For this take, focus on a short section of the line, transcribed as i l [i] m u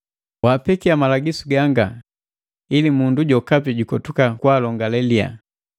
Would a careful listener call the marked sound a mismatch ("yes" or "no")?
no